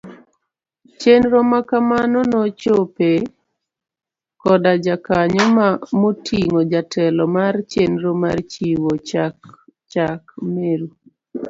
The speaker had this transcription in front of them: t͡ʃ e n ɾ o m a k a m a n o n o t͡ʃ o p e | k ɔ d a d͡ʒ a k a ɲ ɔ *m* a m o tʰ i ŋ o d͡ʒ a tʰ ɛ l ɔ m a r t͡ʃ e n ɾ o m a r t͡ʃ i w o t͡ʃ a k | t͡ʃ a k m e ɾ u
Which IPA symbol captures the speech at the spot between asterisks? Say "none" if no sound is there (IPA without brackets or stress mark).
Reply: m